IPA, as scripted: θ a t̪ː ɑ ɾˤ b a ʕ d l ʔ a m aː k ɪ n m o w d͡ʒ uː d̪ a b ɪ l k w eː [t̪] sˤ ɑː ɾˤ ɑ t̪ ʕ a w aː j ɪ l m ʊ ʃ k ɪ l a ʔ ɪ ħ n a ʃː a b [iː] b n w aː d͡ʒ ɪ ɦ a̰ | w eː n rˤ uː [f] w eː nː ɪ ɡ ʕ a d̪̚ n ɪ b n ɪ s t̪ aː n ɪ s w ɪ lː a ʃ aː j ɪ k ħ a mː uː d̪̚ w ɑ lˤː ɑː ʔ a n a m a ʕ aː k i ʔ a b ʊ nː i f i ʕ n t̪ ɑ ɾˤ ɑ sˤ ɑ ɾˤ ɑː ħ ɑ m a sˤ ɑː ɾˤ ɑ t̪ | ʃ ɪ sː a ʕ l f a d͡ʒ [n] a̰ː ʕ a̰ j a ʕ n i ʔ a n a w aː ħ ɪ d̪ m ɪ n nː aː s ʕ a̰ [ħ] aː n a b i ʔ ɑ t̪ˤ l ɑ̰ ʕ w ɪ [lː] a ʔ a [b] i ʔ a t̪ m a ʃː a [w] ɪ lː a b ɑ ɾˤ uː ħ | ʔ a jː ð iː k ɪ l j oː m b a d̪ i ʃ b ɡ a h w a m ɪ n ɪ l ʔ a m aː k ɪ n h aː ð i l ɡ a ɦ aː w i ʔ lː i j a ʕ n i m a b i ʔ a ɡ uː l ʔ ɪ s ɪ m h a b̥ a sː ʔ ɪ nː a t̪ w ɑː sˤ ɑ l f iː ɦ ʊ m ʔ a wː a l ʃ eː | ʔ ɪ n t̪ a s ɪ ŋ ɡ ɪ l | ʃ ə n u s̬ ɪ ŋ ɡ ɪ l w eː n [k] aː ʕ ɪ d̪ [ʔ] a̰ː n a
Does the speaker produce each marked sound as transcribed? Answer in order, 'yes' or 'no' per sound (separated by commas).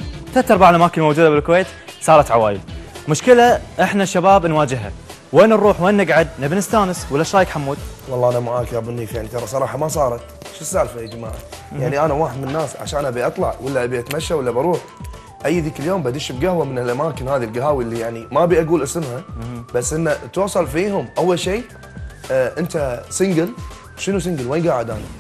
yes, no, no, no, no, yes, yes, yes, no, yes